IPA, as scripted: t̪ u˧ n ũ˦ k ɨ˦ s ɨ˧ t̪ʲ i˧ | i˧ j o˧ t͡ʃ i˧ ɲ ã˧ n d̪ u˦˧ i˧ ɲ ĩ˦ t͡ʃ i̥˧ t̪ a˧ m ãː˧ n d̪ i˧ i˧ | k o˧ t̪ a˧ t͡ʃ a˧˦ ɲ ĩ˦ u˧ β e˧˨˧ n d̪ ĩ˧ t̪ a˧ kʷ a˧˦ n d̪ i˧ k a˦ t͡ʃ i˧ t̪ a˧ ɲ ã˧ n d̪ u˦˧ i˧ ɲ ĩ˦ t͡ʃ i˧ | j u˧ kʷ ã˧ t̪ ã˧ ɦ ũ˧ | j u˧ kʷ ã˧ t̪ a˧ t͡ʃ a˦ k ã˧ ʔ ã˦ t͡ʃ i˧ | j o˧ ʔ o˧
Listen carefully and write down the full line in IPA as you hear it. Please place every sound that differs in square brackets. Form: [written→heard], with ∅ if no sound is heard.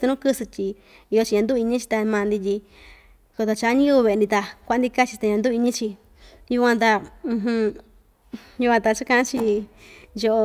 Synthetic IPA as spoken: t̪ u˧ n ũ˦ k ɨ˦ s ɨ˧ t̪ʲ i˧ | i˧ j o˧ t͡ʃ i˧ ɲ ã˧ n d̪ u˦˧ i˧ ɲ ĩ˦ t͡ʃ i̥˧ t̪ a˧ m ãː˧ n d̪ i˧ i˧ | k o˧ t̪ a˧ t͡ʃ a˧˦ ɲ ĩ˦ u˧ β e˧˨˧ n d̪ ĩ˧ t̪ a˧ kʷ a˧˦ n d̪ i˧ k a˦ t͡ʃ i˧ t̪ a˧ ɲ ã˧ n d̪ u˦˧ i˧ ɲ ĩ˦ t͡ʃ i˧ | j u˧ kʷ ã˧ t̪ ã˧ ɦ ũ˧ | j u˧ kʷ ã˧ t̪ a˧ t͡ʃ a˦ k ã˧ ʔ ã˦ t͡ʃ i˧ | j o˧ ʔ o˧

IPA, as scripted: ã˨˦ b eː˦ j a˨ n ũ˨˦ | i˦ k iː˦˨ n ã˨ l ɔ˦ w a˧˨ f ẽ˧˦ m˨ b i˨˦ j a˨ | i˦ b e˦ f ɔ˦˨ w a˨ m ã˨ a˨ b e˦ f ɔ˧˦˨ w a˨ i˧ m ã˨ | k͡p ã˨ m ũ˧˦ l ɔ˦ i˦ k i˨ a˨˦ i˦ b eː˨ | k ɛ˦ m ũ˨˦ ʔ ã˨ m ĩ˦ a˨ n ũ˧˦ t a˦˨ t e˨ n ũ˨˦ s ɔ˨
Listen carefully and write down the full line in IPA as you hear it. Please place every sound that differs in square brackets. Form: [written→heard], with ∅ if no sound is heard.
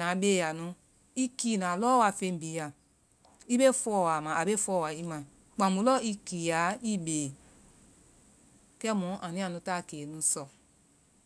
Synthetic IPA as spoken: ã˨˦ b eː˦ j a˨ n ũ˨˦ | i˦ k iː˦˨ n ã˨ l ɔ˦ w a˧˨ f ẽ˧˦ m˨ b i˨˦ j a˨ | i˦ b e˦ f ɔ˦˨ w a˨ m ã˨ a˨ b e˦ f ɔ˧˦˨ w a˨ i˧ m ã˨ | k͡p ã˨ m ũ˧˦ l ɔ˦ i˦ k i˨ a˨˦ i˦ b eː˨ | k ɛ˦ m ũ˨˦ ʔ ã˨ [m→n] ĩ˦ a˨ n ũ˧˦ t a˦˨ [t→k] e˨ n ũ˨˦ s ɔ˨

